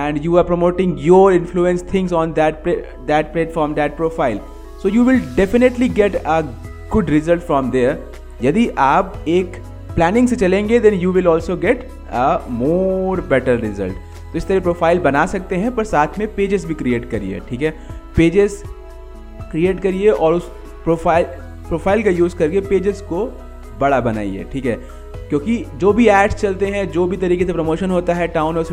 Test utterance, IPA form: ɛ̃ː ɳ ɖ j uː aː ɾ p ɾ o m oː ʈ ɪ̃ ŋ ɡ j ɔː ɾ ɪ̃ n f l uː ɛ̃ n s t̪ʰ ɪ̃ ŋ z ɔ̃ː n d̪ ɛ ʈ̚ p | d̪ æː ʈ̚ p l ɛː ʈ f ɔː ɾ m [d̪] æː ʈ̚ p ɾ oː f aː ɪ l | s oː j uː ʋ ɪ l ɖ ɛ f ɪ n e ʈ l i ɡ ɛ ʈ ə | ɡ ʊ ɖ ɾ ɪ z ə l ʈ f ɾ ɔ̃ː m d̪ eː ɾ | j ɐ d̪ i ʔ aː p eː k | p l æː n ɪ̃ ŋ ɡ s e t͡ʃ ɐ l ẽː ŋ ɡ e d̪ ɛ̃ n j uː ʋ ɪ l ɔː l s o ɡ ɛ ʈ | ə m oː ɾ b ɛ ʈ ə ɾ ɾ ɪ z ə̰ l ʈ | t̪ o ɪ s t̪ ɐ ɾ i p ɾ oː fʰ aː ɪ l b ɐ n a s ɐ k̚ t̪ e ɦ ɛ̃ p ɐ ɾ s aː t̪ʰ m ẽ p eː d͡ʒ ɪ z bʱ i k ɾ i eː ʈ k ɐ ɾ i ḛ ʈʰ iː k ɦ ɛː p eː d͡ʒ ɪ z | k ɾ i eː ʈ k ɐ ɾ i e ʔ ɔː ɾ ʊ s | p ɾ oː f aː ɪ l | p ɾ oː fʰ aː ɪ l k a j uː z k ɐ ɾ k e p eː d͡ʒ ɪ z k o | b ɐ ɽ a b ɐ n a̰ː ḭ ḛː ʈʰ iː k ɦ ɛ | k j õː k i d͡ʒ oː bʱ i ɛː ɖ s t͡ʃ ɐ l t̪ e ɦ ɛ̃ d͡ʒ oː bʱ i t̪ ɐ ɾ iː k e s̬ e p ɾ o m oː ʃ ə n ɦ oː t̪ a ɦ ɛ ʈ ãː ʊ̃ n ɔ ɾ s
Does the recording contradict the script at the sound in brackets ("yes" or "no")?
no